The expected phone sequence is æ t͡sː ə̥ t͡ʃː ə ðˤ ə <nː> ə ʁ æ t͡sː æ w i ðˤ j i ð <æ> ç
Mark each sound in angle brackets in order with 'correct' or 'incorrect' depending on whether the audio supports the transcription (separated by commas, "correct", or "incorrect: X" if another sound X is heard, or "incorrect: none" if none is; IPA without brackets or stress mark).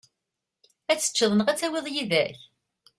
incorrect: n, correct